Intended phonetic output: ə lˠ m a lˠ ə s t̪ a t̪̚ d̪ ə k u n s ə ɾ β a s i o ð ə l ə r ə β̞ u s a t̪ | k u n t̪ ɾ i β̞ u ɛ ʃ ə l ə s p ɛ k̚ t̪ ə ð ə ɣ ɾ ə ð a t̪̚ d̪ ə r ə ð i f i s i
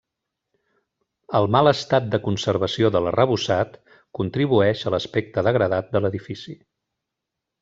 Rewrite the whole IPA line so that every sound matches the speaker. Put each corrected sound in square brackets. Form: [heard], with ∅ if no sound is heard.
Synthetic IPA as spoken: ə lˠ m a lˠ ə s t̪ a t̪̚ d̪ ə k u n s ə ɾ β [ə] s i o ð ə l ə r ə β̞ u s a t̪ | k u n t̪ ɾ i β̞ u ɛ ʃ ə l ə s p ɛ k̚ t̪ ə ð ə ɣ ɾ ə ð a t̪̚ d̪ ə [l] ə ð i f i s i